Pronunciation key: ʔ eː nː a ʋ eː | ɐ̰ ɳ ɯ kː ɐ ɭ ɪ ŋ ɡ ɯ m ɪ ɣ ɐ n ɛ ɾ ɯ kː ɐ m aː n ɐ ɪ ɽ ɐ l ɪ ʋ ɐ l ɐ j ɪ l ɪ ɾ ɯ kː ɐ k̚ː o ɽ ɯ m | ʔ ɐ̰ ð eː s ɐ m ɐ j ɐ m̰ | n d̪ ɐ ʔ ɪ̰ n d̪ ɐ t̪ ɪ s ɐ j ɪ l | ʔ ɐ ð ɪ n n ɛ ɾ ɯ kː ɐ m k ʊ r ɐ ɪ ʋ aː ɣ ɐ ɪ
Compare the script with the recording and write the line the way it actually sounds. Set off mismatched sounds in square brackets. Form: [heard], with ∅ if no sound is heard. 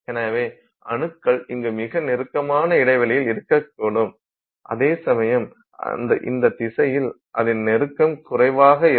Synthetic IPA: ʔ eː [n] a ʋ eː | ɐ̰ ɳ ɯ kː ɐ ɭ ɪ ŋ ɡ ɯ m ɪ ɣ ɐ n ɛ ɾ ɯ kː ɐ m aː n ɐ ɪ ɽ ɐ [∅] ɪ ʋ ɐ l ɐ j ɪ l ɪ ɾ ɯ kː ɐ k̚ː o ɽ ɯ m | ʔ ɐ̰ ð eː s ɐ m ɐ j ɐ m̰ | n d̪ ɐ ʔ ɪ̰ n d̪ ɐ t̪ ɪ s ɐ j ɪ l | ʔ ɐ ð ɪ n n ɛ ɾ ɯ kː ɐ m k ʊ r ɐ ɪ ʋ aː ɣ ɐ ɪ